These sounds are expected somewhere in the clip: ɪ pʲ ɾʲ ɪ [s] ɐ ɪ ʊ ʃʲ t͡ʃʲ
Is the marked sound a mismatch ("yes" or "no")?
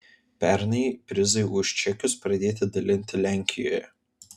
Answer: yes